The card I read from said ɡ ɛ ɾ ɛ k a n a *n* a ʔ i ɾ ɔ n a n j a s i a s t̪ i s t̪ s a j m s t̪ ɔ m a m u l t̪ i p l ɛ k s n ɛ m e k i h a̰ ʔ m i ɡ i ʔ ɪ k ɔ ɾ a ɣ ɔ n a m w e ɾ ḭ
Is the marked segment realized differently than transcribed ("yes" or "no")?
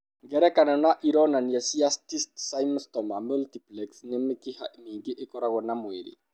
no